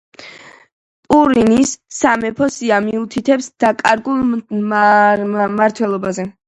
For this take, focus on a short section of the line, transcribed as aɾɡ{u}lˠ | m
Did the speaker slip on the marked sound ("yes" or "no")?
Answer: no